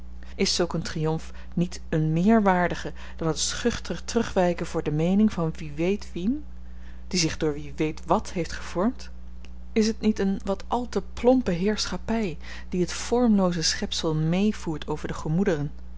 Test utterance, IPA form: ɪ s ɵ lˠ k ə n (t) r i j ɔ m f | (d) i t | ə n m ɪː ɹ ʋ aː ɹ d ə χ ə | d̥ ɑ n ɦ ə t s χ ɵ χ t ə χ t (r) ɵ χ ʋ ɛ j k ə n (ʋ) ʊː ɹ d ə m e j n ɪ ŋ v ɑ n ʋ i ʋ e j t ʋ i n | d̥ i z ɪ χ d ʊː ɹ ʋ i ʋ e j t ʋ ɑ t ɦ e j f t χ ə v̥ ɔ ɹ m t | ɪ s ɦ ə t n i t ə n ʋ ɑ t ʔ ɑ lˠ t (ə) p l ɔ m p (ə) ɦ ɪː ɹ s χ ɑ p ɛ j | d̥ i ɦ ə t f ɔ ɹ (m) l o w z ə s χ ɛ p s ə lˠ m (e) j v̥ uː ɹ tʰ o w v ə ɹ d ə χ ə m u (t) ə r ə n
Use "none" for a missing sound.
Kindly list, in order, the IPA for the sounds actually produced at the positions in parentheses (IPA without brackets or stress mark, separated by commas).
t, n, r, v, ə, ə, m, e, d